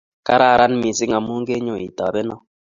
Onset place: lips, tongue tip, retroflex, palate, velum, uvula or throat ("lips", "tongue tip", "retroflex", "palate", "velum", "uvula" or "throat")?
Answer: velum